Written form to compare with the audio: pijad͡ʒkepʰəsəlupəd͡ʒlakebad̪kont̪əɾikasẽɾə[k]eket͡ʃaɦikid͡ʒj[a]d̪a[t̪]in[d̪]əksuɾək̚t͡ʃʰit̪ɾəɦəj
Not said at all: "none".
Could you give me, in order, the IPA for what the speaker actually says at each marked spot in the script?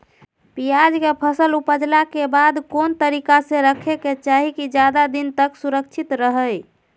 kʰ, a, d̪, t̪

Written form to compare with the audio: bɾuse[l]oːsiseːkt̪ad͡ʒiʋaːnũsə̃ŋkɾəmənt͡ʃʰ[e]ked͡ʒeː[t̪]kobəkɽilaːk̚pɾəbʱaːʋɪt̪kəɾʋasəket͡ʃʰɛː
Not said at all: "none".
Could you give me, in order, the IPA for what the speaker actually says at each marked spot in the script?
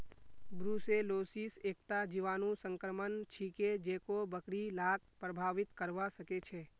l, i, none

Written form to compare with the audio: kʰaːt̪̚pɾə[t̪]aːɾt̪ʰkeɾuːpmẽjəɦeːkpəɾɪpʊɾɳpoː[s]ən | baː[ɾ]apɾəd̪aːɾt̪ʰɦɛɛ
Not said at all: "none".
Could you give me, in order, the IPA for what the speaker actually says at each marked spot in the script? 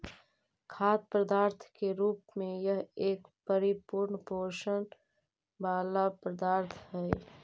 d̪, ʃ, l

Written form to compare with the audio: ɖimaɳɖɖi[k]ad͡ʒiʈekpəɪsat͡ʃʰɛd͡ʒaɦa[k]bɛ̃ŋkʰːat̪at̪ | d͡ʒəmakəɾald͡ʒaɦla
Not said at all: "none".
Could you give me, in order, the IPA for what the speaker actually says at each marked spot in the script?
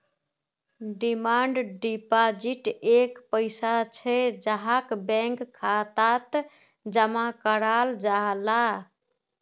p, k

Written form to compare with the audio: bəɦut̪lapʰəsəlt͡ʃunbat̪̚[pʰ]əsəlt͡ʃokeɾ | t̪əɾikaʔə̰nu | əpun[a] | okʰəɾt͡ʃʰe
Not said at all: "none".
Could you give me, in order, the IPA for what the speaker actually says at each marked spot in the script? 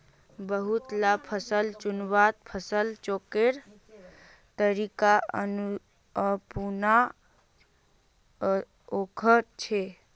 pʰ, a

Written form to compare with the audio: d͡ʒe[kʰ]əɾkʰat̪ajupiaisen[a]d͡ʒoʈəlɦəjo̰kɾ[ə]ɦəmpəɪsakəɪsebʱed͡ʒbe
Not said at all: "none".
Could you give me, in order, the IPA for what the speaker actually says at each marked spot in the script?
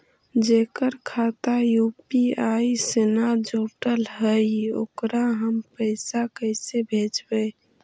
k, a, a

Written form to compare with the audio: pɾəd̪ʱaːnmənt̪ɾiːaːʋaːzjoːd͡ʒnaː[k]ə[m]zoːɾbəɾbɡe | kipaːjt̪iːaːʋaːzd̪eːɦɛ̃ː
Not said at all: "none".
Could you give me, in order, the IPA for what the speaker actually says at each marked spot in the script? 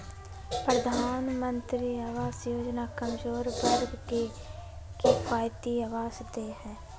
k, m

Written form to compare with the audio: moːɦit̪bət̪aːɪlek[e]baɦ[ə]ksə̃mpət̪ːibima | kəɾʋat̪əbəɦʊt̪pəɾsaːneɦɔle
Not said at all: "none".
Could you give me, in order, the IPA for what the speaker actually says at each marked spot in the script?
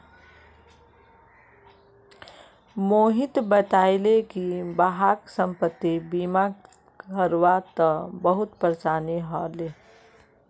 i, a

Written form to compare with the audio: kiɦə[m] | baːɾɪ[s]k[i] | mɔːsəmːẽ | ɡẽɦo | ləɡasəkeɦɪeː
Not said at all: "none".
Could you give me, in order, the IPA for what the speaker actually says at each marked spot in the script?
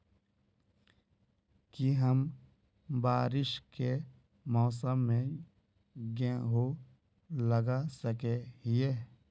m, ʃ, e

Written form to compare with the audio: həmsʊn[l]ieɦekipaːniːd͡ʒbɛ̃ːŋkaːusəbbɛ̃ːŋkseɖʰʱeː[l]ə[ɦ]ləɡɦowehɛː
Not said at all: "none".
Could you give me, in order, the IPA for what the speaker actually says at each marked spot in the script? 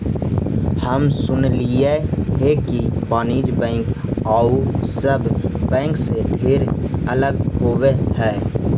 l, ɾ, none

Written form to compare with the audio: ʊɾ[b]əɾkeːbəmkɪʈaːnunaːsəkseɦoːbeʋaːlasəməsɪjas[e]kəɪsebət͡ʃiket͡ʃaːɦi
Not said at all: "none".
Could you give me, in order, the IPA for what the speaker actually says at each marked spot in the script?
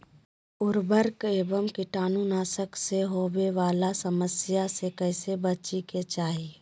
b, e

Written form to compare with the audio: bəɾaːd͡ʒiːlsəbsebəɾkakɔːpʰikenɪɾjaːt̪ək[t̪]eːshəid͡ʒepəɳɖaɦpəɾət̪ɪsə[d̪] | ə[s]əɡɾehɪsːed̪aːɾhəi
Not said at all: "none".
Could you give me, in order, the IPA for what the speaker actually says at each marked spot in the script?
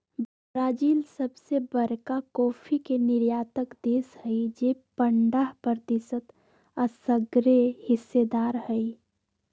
d̪, t̪, s

